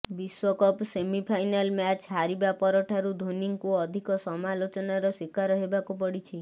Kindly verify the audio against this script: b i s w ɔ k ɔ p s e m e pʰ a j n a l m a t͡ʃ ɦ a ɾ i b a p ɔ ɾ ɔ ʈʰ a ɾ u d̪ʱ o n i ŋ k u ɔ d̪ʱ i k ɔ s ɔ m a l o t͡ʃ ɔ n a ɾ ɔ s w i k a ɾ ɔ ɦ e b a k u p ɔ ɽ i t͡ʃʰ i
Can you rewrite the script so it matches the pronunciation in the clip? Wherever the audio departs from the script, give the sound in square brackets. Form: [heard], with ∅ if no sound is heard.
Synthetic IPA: b i s w ɔ k ɔ p s e m [i] pʰ a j n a l m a t͡ʃ ɦ a ɾ i b a p ɔ ɾ ɔ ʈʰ a ɾ u d̪ʱ o n i ŋ k u ɔ d̪ʱ i k ɔ s ɔ m a l o t͡ʃ ɔ n a ɾ ɔ s w i k a ɾ ɔ ɦ e b a k u p ɔ ɽ i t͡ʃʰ i

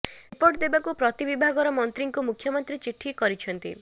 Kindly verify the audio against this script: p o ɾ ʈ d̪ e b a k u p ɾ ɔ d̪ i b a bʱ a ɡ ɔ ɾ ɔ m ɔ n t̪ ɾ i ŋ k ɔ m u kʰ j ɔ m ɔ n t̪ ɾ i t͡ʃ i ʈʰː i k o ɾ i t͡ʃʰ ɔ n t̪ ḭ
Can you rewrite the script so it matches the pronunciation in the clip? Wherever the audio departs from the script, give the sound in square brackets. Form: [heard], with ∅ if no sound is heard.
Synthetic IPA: p o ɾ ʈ d̪ e b a k u p ɾ ɔ [t̪] i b [i] bʱ a ɡ ɔ ɾ ɔ m ɔ n t̪ ɾ i ŋ k [u] m u kʰ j ɔ m ɔ n t̪ ɾ i t͡ʃ i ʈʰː i k [ɔ] ɾ i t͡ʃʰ ɔ n t̪ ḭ

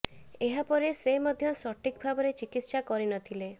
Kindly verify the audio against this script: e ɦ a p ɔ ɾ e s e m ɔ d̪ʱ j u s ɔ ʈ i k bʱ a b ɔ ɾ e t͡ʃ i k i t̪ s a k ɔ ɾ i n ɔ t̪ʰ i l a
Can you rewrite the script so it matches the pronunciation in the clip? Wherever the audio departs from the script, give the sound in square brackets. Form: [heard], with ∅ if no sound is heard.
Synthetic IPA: e ɦ a p ɔ ɾ e s e m ɔ d̪ʱ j [ɔ] s ɔ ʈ i k bʱ a b ɔ ɾ e t͡ʃ i k i t̪ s a k ɔ ɾ i n ɔ t̪ʰ i l [e]

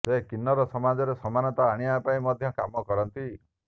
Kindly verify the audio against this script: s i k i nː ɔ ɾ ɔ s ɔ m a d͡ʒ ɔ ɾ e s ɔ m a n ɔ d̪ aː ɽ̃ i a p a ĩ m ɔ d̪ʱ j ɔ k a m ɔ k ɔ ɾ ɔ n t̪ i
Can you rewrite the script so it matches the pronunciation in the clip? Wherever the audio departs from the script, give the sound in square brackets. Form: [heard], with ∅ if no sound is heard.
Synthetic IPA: s [e] k i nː ɔ ɾ ɔ s ɔ m a d͡ʒ ɔ ɾ e s ɔ m a n ɔ [t̪] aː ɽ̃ i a p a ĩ m ɔ d̪ʱ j ɔ k a m ɔ k ɔ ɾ ɔ n t̪ i

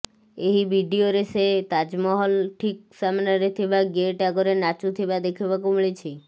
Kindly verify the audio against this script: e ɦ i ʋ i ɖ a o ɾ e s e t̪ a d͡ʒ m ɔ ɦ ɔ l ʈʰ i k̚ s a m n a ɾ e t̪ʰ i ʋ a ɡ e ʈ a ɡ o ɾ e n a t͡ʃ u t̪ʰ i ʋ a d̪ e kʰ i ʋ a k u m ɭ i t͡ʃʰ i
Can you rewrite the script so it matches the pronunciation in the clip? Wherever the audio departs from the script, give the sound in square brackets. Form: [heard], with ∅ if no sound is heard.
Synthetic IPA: e ɦ i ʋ i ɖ [i] o ɾ e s e t̪ a d͡ʒ m ɔ ɦ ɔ l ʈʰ i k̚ s a m n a ɾ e t̪ʰ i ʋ a ɡ e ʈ a ɡ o ɾ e n a t͡ʃ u t̪ʰ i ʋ a d̪ e kʰ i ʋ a k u m ɭ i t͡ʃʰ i

